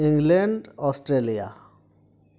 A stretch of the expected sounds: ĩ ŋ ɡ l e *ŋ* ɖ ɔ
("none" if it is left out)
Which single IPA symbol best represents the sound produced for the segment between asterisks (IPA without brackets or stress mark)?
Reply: ɳ